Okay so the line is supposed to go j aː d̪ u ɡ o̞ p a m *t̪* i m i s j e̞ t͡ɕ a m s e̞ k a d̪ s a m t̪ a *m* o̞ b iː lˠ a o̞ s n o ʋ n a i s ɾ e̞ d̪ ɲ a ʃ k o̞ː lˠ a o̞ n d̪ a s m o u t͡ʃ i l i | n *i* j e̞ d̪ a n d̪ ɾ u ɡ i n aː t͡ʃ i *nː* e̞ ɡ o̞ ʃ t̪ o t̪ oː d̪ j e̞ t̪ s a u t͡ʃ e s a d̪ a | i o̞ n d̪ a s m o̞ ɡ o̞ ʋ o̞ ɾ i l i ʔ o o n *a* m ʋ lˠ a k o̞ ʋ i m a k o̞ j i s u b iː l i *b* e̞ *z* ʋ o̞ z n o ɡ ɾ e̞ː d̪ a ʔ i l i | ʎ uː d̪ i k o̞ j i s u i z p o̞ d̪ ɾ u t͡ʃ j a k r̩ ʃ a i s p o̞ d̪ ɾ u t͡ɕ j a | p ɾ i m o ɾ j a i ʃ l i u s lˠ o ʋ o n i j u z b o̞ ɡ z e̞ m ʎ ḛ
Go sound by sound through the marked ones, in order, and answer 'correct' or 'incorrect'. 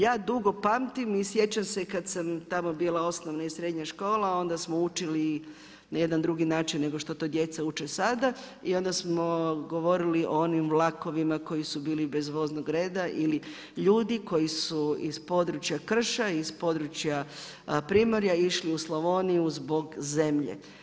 correct, correct, incorrect: a, correct, incorrect: i, correct, correct

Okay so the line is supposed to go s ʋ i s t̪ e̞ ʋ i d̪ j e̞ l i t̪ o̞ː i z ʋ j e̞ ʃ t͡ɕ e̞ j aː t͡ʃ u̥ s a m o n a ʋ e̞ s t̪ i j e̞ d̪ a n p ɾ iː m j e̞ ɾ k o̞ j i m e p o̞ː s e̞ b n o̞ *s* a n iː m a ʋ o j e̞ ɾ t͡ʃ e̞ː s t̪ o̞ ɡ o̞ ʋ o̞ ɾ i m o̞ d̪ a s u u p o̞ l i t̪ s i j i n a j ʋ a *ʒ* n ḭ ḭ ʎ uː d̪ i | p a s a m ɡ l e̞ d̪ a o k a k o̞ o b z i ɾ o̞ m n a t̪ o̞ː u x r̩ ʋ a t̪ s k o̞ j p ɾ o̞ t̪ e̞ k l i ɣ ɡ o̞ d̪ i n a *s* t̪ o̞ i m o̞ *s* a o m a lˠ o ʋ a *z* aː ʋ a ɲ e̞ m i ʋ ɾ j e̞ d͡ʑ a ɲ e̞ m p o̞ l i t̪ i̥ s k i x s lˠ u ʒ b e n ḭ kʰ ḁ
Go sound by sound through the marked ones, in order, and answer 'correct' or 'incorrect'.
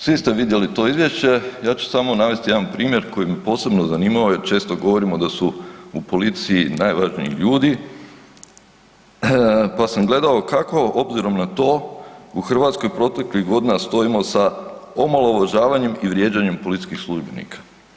incorrect: z, correct, correct, correct, incorrect: ʒ

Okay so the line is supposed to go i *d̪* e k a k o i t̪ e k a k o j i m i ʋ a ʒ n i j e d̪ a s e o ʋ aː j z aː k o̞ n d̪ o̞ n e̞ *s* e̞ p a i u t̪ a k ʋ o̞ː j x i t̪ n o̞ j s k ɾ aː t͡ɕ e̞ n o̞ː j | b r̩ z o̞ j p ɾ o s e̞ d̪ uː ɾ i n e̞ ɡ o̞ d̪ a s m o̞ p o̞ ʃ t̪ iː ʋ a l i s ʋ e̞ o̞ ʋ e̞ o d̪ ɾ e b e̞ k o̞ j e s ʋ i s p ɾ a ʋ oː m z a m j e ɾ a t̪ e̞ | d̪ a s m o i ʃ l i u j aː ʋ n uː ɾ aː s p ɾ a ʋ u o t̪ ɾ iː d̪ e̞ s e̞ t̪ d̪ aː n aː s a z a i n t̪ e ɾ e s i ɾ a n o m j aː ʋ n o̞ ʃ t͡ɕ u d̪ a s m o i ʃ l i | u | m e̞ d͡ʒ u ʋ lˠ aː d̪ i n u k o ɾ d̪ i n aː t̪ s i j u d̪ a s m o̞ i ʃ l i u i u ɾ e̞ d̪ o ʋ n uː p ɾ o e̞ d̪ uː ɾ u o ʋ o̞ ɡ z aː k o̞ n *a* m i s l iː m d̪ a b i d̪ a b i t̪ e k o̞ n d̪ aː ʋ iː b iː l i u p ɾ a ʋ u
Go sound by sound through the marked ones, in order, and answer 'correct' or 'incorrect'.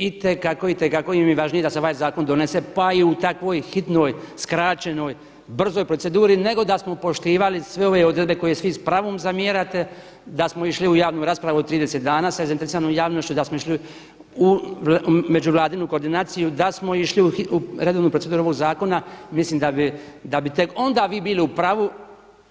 incorrect: t̪, correct, correct

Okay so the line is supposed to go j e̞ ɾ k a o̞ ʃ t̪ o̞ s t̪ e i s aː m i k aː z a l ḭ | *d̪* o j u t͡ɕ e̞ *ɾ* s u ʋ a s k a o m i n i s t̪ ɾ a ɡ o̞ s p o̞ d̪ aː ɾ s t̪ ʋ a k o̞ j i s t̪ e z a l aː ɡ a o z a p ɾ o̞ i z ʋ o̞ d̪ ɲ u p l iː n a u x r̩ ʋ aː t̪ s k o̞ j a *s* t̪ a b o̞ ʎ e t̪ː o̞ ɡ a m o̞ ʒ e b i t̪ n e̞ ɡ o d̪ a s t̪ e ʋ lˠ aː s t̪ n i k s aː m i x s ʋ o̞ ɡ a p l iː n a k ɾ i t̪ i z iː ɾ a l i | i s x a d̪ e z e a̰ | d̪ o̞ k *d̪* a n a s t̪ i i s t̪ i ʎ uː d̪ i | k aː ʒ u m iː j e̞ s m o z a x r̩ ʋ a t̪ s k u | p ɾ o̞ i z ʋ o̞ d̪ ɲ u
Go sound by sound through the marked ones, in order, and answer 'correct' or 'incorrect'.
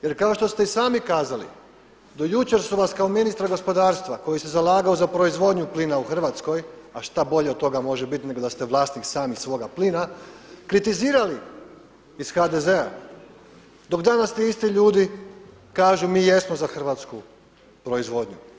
correct, correct, incorrect: ʃ, correct

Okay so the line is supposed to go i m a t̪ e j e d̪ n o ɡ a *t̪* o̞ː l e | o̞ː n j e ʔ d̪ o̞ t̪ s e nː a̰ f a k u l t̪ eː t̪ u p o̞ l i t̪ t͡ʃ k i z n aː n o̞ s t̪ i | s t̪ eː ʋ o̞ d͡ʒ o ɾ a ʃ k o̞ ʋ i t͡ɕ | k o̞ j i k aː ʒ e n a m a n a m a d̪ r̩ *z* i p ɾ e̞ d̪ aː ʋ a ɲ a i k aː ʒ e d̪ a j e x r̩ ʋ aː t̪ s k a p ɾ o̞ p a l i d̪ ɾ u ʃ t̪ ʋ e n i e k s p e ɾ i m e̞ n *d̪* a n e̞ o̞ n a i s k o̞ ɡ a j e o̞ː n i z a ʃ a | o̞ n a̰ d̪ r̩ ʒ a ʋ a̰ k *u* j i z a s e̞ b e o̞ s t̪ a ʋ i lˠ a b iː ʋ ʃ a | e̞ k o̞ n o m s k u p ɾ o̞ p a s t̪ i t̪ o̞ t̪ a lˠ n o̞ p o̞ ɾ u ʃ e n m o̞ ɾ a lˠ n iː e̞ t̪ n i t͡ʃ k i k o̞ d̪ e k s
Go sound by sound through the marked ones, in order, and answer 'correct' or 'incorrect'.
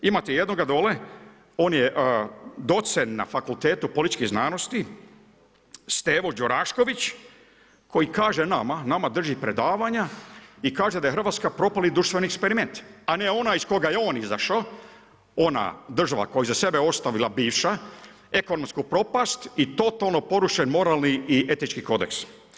incorrect: d̪, incorrect: ʒ, incorrect: t̪, incorrect: o

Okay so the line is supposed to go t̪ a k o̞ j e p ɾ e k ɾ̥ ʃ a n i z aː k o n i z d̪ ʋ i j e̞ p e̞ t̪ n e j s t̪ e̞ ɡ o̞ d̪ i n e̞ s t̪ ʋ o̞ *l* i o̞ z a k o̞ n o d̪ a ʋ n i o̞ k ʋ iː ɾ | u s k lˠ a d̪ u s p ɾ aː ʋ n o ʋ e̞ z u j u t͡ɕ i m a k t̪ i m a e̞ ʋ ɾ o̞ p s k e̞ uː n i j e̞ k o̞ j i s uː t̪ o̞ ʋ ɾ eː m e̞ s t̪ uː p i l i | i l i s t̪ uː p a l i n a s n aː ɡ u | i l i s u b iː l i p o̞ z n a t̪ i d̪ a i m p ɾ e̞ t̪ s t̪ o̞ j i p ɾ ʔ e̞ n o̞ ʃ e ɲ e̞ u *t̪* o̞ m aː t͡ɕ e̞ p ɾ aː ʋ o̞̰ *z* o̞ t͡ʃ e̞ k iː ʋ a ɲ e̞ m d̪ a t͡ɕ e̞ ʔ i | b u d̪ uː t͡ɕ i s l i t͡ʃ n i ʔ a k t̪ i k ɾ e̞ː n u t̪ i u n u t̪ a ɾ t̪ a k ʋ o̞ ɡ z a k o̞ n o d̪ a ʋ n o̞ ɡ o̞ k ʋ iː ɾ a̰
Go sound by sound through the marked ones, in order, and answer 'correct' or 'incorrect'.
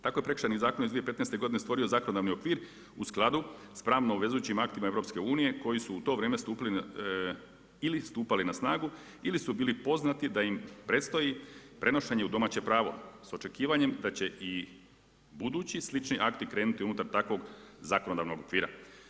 incorrect: ɾ, incorrect: d̪, incorrect: s

